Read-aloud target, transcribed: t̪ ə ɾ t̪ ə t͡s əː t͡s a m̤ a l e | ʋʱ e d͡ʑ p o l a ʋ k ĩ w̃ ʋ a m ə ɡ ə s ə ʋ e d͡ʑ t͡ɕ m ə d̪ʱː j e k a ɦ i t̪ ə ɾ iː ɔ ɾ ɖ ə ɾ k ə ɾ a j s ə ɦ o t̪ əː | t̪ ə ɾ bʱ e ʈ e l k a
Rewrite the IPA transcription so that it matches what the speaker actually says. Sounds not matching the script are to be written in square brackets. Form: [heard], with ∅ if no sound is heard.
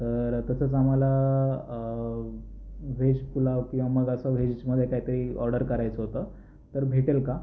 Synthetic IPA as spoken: t̪ ə ɾ t̪ ə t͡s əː t͡s a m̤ a l [a] | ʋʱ e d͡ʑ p [u] l a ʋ k ĩ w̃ ʋ a m ə ɡ ə s ə ʋ e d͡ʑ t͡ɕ m ə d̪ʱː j e k a ɦ i t̪ ə ɾ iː ɔ ɾ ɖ ə ɾ k ə ɾ a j [t͡s] ə ɦ o t̪ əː | t̪ ə ɾ bʱ e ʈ e l k a

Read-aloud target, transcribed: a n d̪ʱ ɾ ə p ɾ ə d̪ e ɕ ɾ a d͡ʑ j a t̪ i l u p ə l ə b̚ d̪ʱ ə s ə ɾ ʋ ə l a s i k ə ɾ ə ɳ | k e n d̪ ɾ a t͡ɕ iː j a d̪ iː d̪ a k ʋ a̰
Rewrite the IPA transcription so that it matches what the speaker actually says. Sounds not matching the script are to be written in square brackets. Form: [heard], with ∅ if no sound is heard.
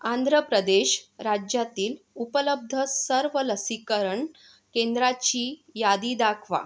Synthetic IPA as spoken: a n d̪ʱ ɾ ə p ɾ ə d̪ e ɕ ɾ a d͡ʑ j a t̪ [iː] l u p ə l ə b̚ d̪ʱ ə s ə ɾ ʋ ə l [ə] s i k ə ɾ ə ɳ | k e n d̪ ɾ a t͡ɕ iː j a d̪ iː d̪ a [kʰ] ʋ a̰

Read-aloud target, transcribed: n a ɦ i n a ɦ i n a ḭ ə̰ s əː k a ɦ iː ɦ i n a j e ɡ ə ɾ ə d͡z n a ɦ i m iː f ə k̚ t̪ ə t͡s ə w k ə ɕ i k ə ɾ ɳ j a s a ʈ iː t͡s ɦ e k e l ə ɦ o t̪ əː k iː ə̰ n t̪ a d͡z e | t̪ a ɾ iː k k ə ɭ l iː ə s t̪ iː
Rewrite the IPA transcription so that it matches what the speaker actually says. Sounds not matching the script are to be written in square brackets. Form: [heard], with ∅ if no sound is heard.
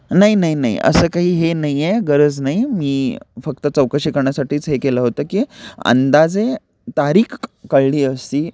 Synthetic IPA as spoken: n a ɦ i n a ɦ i n a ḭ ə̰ s əː k a ɦ iː ɦ [e] n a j e ɡ ə ɾ ə d͡z n a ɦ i m iː f ə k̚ t̪ ə t͡s ə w k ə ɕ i k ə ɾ ɳ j a s a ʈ iː t͡s ɦ e k e l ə ɦ o t̪ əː k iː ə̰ n [d̪] a d͡z e | t̪ a ɾ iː k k ə ɭ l iː ə s t̪ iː

